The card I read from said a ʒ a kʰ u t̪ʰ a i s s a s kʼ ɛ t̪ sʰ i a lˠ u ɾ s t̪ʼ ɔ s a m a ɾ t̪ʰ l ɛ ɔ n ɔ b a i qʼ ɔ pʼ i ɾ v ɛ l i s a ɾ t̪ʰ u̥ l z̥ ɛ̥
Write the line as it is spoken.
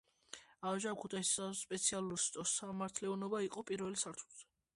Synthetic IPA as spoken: a ʒ a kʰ u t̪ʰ a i s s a s pʼ ɛ t̪ sʰ i a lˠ u ɾ s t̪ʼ ɔ s a m a ɾ t̪ʰ l ɛ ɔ n ɔ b a i qʼ ɔ pʼ i ɾ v ɛ l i s a ɾ t̪ʰ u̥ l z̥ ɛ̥